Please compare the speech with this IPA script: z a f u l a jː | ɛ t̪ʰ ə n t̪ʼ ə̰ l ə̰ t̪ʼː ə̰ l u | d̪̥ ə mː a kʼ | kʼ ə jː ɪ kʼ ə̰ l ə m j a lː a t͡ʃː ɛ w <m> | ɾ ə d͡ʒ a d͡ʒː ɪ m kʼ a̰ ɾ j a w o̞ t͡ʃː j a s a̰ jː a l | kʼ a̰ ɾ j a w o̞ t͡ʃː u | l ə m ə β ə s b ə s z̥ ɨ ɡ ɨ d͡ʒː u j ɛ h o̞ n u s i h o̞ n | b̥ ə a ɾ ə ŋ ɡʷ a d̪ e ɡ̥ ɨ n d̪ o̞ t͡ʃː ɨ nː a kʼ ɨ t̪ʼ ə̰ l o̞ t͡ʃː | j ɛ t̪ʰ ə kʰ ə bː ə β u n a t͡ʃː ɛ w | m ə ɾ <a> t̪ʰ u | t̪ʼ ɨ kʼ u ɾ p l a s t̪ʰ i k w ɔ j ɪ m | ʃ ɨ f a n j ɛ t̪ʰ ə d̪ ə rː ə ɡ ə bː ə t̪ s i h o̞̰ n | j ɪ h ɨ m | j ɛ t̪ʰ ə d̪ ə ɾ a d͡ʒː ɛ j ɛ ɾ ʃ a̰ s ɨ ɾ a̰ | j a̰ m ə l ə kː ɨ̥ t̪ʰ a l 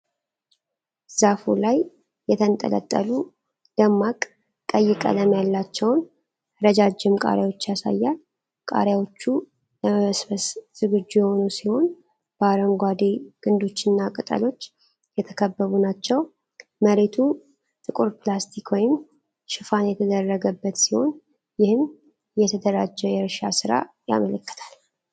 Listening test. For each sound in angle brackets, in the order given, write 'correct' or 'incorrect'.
incorrect: n, incorrect: e

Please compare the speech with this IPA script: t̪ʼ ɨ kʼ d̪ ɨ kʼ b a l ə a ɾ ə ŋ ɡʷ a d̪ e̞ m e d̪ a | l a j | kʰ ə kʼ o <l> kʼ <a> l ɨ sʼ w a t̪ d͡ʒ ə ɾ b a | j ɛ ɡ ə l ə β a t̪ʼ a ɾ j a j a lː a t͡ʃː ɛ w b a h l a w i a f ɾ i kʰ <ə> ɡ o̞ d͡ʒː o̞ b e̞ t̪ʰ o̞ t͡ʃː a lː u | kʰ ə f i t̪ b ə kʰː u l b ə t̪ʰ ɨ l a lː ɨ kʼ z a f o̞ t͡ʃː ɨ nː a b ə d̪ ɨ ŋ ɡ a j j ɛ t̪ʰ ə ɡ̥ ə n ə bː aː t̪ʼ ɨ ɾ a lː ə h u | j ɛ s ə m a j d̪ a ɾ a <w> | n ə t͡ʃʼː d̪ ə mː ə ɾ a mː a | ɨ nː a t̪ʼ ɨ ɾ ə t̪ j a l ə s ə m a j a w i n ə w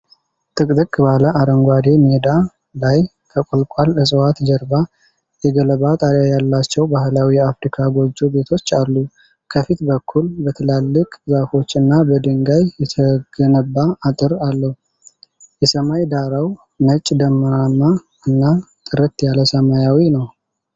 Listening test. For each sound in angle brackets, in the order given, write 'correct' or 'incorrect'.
correct, correct, incorrect: a, correct

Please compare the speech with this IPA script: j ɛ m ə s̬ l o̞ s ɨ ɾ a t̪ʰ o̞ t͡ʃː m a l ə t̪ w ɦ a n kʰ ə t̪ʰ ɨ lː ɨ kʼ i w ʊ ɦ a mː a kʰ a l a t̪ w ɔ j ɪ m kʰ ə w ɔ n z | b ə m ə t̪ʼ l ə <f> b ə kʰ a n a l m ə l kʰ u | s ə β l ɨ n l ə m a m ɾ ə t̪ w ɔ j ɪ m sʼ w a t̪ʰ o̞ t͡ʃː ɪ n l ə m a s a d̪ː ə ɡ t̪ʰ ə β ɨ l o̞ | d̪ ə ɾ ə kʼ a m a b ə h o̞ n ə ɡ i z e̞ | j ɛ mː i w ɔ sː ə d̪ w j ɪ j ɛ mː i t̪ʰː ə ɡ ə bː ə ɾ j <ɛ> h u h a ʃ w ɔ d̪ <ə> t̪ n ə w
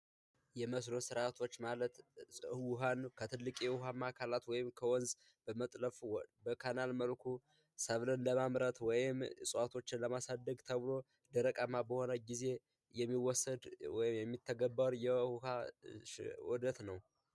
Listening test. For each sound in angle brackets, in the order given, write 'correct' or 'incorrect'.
correct, correct, correct

